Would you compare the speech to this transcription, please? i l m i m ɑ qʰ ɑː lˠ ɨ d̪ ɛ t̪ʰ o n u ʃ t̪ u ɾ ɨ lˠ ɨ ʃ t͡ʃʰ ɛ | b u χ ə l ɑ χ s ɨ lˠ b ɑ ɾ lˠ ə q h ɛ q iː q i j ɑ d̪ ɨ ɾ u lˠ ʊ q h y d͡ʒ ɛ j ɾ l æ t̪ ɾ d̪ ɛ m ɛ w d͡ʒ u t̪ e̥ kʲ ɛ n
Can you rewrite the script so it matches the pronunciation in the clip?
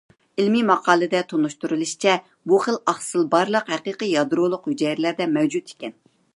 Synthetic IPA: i l m i m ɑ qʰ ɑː lˠ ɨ d̪ ɛ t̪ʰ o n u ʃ t̪ u ɾ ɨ lˠ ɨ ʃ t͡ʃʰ ɛ | b u χ ə l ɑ χ s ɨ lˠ b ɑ ɾ lˠ ə q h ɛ q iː q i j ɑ d̪ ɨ ɾ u lˠ ʊ q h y d͡ʒ ɛ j ɾ l æ ɾ d̪ ɛ m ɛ w d͡ʒ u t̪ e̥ kʲ ɛ n